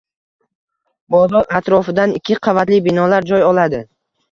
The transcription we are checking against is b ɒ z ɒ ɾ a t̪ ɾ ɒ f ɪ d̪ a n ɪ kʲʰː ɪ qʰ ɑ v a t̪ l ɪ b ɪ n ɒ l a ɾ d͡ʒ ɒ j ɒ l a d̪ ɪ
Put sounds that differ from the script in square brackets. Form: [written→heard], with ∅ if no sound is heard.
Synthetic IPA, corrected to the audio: b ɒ z ɒ ɾ a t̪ ɾ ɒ f ɪ d̪ a n ɪ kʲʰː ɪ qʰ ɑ v a t̪ l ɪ b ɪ n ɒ l a ɾ d͡ʒ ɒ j ɒ l a d̪ ɪ